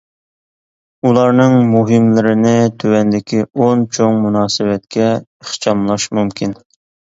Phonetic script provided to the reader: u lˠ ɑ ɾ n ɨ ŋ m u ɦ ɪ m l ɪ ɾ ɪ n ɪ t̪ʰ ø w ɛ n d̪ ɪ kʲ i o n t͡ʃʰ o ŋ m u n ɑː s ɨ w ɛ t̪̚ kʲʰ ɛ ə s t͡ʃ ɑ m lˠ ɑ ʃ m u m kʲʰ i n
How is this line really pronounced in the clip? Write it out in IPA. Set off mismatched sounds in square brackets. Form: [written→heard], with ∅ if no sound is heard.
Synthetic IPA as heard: u lˠ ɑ ɾ n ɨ ŋ m u ɦ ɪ m l ɪ ɾ ɪ n ɪ t̪ʰ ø w ɛ n d̪ ɪ kʲ i o n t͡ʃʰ o ŋ m u n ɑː s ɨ w ɛ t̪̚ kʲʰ ɛ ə [s→χ] t͡ʃ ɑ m lˠ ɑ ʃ m u m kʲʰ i n